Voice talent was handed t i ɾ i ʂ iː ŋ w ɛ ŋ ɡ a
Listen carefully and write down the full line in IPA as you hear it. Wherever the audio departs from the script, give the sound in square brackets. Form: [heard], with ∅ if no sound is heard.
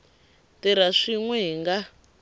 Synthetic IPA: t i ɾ [a] ʂ [i] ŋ w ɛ ŋ ɡ a